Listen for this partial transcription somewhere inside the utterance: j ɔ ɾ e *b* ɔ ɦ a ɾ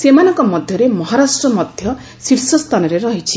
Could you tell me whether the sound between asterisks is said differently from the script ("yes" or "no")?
yes